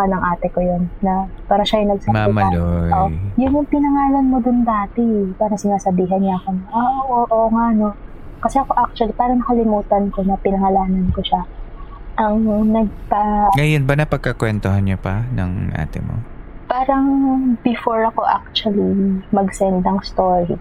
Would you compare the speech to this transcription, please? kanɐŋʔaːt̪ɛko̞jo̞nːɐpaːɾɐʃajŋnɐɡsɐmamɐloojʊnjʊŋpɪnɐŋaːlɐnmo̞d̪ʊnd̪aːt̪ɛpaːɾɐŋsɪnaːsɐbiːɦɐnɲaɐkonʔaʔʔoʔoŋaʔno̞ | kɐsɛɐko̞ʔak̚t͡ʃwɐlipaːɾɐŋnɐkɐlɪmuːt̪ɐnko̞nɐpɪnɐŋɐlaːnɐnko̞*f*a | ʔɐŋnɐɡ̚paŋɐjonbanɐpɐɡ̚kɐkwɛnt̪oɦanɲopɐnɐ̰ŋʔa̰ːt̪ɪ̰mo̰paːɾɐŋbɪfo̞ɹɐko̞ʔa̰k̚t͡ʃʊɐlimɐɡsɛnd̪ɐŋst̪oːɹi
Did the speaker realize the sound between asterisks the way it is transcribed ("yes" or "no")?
no